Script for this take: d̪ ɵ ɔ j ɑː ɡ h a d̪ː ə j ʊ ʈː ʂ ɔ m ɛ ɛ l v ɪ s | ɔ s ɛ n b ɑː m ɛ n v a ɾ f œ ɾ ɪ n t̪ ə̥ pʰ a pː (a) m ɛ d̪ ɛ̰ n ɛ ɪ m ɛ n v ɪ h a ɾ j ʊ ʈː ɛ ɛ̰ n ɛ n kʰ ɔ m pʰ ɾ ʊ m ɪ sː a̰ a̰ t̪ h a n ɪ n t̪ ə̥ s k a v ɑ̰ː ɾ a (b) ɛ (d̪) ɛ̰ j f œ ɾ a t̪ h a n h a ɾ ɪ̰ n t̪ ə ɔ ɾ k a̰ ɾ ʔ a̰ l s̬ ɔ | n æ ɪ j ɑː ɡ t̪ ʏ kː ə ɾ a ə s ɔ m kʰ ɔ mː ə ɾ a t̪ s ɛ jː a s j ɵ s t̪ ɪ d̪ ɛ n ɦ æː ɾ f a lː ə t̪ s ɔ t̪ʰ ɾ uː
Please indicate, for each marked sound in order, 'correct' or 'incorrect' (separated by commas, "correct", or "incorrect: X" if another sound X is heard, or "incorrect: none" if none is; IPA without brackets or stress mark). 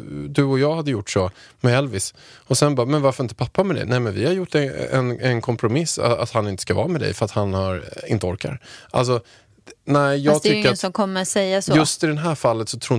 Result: correct, incorrect: m, correct